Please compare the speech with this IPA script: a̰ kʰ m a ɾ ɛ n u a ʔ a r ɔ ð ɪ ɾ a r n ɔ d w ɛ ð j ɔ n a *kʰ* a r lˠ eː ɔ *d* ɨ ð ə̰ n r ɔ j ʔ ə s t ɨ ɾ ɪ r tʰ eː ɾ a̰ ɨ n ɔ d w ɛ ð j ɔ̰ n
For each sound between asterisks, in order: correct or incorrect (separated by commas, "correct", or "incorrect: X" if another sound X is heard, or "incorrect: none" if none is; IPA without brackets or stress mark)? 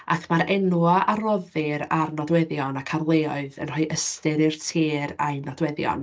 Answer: correct, incorrect: none